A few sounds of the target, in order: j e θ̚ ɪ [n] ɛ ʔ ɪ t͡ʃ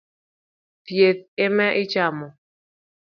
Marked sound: incorrect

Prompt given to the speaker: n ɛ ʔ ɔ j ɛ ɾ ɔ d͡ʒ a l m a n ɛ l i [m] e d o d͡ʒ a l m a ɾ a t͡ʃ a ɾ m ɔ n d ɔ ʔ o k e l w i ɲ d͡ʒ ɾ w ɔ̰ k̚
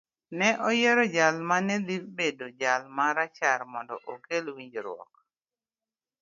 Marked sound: incorrect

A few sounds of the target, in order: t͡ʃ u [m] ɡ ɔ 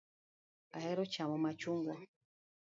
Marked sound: incorrect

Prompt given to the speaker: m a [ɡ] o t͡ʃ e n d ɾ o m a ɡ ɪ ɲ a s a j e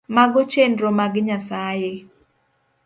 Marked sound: correct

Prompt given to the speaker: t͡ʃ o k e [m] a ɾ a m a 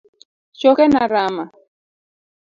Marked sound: incorrect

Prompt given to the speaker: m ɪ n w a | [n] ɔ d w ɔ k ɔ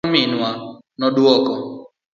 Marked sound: correct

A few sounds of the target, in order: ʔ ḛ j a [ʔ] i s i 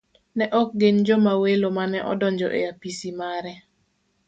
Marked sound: incorrect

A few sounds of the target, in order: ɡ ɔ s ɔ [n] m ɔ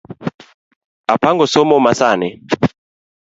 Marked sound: incorrect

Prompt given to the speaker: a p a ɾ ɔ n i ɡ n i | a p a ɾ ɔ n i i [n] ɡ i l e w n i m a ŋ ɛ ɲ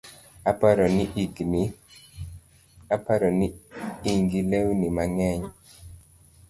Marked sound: incorrect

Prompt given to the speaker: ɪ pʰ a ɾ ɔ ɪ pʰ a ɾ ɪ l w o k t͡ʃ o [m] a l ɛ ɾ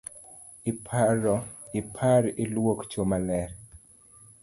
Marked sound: correct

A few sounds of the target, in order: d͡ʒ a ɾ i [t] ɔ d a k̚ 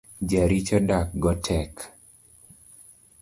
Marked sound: incorrect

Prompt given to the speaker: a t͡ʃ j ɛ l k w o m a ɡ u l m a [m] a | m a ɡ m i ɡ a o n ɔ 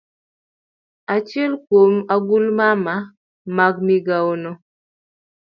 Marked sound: correct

